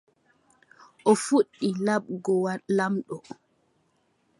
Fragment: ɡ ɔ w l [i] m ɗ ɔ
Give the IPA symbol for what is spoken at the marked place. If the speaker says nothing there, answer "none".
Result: a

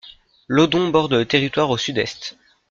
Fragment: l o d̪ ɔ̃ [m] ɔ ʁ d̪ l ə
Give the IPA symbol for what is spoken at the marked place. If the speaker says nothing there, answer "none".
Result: b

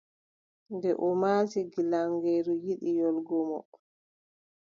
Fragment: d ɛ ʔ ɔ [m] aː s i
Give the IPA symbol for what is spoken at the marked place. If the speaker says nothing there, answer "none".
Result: m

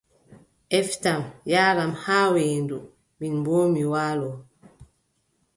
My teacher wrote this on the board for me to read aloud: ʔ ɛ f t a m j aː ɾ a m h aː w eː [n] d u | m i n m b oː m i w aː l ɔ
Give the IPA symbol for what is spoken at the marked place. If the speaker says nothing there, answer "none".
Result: n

